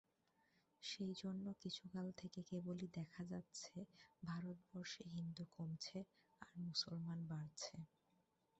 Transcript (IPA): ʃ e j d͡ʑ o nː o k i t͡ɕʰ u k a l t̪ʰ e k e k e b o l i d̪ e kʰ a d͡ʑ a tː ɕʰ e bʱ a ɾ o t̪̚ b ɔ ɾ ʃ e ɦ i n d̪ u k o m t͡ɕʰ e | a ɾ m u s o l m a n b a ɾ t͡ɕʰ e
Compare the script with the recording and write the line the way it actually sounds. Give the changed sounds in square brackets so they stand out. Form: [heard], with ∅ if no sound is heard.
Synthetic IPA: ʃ e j d͡ʑ o nː o k i t͡ɕʰ u k a l t̪ʰ e k e k e b o l i d̪ [ɛ] kʰ a d͡ʑ a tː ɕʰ e bʱ a ɾ o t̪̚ b ɔ ɾ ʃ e ɦ i n d̪ u k o m t͡ɕʰ e | a ɾ m u s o l m a n b a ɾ t͡ɕʰ e